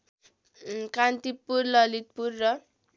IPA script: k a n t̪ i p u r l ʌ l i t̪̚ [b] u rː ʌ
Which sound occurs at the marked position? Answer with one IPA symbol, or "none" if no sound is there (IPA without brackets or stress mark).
p